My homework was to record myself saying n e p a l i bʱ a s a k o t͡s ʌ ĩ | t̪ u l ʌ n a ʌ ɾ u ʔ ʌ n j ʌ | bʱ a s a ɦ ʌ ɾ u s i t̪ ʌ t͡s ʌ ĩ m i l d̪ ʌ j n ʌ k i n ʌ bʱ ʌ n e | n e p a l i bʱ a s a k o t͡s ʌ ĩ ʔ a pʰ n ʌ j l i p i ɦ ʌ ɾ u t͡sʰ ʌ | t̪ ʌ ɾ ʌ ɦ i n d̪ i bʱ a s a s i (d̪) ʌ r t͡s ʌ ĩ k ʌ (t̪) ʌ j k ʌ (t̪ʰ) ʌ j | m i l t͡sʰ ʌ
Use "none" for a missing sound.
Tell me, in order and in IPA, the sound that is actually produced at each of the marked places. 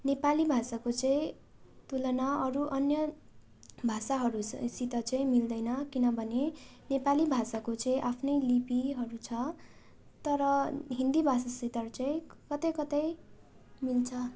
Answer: t̪, t̪, t̪

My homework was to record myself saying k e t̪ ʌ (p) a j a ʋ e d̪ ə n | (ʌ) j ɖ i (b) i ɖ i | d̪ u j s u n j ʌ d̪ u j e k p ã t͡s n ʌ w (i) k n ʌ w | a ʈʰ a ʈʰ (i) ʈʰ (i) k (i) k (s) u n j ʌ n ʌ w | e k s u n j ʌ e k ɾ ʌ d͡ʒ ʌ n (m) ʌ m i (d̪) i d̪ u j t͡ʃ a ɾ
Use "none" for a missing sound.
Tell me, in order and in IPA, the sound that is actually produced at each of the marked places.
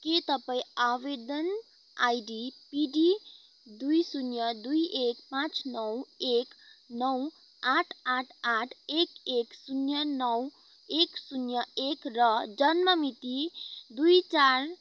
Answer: p, a, p, e, a, e, e, s, m, t̪

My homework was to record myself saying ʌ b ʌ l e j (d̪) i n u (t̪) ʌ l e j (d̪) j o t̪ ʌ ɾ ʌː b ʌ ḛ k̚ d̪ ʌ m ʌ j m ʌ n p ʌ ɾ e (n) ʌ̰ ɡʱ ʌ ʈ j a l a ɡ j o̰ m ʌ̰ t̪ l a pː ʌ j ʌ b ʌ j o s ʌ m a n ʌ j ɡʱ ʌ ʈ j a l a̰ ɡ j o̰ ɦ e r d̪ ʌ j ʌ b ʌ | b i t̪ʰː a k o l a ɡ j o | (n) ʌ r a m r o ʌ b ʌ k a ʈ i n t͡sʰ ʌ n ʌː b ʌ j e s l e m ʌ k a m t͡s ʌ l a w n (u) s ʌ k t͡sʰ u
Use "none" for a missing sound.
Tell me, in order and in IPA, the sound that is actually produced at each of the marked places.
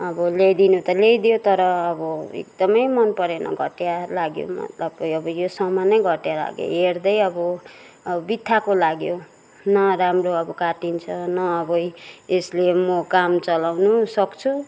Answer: d̪, t̪, d̪, n, n, u

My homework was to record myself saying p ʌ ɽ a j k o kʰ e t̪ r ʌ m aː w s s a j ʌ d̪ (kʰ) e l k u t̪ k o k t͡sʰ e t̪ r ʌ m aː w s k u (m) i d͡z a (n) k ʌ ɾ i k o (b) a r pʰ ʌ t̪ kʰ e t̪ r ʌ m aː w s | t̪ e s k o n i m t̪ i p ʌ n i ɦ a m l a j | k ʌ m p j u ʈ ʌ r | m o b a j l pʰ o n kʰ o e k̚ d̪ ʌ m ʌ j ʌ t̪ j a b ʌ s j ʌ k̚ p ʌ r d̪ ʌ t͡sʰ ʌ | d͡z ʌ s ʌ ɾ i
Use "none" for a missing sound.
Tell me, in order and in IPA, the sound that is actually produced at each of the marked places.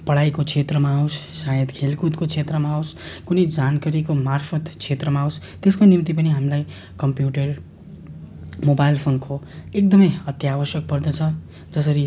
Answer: kʰ, n, n, m

